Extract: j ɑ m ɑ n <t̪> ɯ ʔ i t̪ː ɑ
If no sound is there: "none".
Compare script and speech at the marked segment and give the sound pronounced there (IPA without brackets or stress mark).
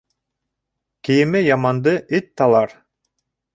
d̪